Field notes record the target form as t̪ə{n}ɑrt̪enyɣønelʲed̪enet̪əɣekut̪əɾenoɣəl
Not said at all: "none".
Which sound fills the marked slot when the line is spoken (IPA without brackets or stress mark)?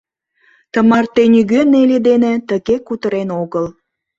m